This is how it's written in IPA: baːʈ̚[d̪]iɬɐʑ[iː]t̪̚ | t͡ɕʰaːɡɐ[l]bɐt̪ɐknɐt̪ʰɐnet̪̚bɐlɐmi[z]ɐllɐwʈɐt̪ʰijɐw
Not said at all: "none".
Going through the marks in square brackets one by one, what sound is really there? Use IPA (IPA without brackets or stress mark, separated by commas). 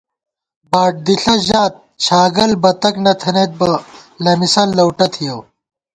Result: d̪, aː, l, s